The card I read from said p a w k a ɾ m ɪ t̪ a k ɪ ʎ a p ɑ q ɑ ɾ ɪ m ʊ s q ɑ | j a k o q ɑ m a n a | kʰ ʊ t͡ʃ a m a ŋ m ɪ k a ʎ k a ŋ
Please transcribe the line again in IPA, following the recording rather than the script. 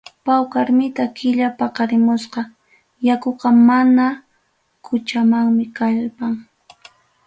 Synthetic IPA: p a w k a ɾ m ɪ t̪ a k ɪ ʎ a p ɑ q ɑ ɾ ɪ m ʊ s q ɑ | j a k o q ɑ m a n a | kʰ ʊ t͡ʃ a m a ŋ m ɪ k a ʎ p a ŋ